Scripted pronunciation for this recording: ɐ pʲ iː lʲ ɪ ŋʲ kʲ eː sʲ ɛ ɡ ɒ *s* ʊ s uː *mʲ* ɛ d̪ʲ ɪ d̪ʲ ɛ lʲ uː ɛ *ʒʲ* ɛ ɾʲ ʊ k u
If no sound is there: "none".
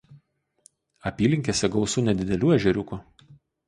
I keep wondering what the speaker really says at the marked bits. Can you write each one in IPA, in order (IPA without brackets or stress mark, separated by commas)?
none, nʲ, ʒʲ